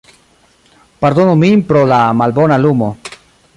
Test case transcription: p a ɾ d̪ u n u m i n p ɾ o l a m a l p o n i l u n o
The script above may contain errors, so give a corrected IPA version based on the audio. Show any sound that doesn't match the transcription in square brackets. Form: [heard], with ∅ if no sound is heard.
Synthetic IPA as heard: p a ɾ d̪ [o] n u m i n p ɾ o l a m a l [b] o n [a] l u [m] o

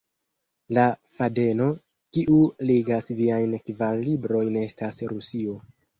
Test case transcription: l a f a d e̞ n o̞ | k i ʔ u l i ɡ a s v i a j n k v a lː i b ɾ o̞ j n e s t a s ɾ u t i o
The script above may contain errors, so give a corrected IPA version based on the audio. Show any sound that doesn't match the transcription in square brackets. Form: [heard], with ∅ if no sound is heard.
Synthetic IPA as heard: l a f a d e̞ n o̞ | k i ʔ u l i ɡ a s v i a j n k v a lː i b ɾ o̞ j n e s t a s ɾ u [s] i o

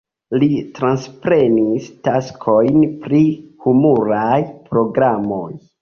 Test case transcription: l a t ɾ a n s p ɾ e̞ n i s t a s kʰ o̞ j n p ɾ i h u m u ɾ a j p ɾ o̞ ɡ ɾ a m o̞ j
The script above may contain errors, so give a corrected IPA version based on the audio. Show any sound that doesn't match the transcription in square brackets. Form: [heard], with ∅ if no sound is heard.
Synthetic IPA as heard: l [i] t ɾ a n s p ɾ e̞ n i s t a s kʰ o̞ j n p ɾ i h u m u ɾ a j p ɾ o̞ ɡ ɾ a m o̞ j

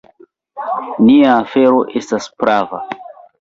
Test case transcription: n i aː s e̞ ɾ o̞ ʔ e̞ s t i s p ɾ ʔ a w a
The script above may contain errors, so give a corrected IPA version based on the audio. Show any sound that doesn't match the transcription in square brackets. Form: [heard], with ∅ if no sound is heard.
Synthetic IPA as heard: n i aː [f] e̞ ɾ o̞ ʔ e̞ s t [a] s p ɾ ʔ a [v] a

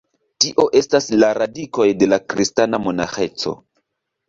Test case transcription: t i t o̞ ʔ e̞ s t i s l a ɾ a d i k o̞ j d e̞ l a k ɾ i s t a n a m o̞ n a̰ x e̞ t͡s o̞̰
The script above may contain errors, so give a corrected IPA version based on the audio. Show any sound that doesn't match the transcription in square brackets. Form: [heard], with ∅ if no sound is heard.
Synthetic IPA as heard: t i [ʔ] o̞ ʔ e̞ s t [a] s l a ɾ a d i k o̞ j d e̞ l a k ɾ i s t a n a m o̞ n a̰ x e̞ t͡s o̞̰

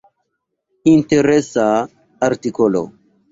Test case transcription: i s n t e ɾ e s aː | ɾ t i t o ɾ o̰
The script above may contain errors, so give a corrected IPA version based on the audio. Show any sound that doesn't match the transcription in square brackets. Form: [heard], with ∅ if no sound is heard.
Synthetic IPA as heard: i [∅] n t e ɾ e s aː | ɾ t i [k] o [l] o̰

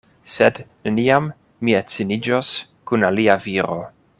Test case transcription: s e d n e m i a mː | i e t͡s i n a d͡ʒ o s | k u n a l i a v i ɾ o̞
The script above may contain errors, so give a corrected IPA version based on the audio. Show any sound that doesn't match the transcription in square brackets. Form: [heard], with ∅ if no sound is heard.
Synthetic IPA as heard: s e d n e [n] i a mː | i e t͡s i n [i] d͡ʒ o s | k u n a l i a v i ɾ o̞

